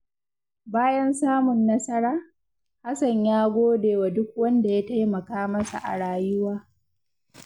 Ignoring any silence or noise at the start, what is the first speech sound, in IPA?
b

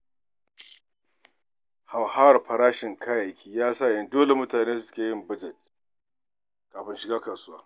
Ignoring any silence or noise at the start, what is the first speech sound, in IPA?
h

